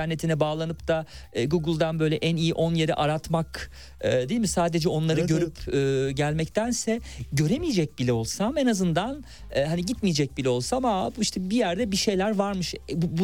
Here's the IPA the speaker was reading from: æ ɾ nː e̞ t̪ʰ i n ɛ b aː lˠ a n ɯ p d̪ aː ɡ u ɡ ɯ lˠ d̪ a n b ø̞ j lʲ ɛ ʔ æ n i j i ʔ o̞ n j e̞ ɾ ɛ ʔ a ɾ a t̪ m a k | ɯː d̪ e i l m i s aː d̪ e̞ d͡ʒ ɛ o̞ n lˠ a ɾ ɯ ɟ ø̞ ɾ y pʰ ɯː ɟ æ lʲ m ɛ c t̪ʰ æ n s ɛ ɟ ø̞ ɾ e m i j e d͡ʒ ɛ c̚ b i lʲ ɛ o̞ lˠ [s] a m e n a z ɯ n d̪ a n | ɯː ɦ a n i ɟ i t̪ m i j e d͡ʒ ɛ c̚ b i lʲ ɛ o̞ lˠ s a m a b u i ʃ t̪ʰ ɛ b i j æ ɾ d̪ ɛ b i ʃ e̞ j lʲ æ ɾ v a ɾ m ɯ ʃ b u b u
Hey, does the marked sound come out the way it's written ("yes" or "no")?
yes